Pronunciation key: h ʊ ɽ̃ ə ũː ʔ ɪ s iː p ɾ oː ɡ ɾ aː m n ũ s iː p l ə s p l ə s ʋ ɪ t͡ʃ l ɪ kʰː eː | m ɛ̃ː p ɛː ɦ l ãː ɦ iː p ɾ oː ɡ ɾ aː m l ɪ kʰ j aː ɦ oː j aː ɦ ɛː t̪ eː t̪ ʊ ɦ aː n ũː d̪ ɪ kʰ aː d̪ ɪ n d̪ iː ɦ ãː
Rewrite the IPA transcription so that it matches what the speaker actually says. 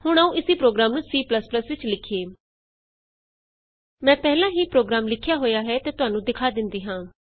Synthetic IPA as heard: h ʊ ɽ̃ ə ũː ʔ ɪ s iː p ɾ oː ɡ ɾ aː m n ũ s iː p l ə s p l ə s ʋ ɪ t͡ʃ l ɪ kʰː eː | m ɛ̃ː p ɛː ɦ l ãː ɦ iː p ɾ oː ɡ ɾ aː m l ɪ kʰ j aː ɦ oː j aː ɦ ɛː t̪ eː t̪ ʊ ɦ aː n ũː d̪ ɪ kʰ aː d̪ ɪ n d̪ iː ɦ ãː